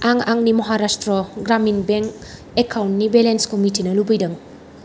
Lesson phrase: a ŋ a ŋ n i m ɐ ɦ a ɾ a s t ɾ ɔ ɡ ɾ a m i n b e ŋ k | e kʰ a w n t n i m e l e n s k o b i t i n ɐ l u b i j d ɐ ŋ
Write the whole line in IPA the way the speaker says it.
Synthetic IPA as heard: a ŋ a ŋ n i m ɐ ɦ a ɾ a s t ɾ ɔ ɡ ɾ a m i n b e ŋ k | e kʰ a w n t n i b e l e n s k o m i t i n ɐ l u b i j d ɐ ŋ